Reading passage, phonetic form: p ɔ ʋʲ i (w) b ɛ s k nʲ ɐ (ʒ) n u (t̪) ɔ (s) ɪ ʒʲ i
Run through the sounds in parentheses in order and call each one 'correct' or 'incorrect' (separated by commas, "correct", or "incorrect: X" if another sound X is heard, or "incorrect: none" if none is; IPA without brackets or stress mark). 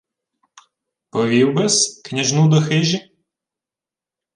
correct, correct, incorrect: d̪, incorrect: x